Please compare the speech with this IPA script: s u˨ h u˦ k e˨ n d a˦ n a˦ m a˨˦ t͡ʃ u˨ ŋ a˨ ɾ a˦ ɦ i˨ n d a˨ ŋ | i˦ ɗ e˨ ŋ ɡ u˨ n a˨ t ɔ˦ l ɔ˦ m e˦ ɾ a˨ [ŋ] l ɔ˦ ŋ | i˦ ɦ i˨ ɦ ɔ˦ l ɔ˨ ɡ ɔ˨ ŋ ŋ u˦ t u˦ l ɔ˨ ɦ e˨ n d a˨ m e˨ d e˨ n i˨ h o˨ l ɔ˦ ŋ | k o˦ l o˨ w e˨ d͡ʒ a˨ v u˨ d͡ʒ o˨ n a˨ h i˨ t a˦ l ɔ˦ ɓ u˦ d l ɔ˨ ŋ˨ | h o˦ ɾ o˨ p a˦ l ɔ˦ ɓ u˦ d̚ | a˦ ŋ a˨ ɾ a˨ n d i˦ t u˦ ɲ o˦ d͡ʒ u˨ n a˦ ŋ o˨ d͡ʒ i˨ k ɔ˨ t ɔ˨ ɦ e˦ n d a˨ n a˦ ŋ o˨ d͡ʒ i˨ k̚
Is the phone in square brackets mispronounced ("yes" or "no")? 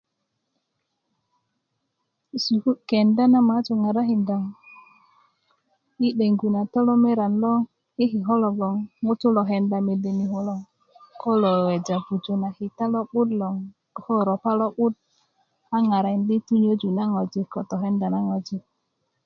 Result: yes